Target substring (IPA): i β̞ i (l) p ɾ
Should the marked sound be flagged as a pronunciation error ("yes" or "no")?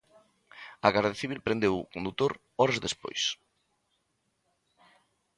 no